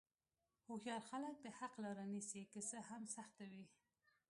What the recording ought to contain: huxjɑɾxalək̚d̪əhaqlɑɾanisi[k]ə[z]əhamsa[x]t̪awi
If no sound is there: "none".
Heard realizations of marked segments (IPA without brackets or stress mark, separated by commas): k, s, x